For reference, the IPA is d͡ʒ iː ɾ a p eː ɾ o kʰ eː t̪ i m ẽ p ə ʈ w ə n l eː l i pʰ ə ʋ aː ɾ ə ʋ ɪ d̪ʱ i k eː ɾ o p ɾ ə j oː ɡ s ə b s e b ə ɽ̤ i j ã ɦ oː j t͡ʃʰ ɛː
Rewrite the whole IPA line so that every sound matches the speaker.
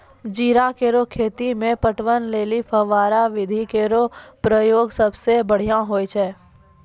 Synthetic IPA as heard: d͡ʒ iː ɾ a k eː ɾ o kʰ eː t̪ i m ẽ p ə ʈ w ə n l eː l i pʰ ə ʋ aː ɾ a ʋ ɪ d̪ʱ i k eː ɾ o p ɾ ə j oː ɡ s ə b s e b ə ɽ̤ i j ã ɦ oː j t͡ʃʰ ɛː